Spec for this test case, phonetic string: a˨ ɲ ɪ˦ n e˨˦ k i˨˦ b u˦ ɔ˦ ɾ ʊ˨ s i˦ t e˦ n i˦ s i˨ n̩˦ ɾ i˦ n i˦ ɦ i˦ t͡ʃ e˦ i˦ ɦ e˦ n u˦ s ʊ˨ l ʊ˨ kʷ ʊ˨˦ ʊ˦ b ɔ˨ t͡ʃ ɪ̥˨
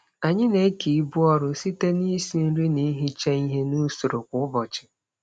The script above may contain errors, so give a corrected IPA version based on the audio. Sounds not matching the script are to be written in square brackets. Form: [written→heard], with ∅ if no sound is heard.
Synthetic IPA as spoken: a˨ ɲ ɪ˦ n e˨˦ k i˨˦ b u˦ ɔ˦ ɾ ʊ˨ s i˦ t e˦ n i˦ s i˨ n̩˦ ɾ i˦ n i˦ ɦ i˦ t͡ʃ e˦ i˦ ɦ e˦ n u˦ s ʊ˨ [l→ɾ] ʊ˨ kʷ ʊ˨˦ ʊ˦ b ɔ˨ t͡ʃ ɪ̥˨